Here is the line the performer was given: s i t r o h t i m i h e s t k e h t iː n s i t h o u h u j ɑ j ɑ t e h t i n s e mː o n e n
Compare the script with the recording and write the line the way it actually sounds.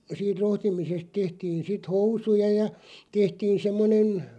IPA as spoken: s iː t r o h t i m i s e s t t e h t iː n s i t h o u s u j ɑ j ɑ t e h t iː n s e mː o n e n